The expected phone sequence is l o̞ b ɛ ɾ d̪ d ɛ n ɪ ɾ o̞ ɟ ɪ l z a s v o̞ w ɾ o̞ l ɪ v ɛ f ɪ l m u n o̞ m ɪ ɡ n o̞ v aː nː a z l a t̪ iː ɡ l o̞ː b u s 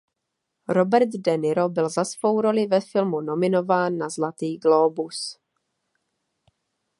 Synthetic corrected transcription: ɾ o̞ b ɛ ɾ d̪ d ɛ n ɪ ɾ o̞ b ɪ l z a s v o̞ w ɾ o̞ l ɪ v ɛ f ɪ l m u n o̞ m ɪ n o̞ v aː nː a z l a t̪ iː ɡ l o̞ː b u s